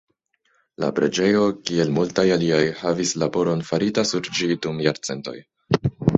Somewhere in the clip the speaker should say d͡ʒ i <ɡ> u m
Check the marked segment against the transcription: incorrect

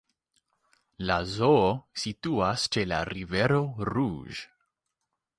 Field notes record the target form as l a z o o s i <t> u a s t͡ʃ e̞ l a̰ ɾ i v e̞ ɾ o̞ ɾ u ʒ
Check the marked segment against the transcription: correct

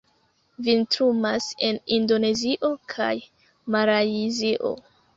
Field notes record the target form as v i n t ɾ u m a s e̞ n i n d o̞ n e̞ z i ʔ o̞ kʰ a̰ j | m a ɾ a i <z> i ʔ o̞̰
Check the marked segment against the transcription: correct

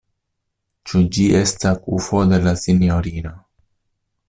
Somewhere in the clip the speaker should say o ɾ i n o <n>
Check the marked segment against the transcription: incorrect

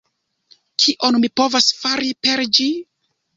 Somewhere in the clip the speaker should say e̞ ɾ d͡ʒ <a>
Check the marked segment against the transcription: incorrect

